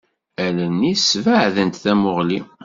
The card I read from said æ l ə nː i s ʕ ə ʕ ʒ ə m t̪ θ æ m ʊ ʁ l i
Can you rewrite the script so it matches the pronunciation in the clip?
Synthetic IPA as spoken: æ l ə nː i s v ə ʕ ð ə n t̪ θ æ m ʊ ʁ l i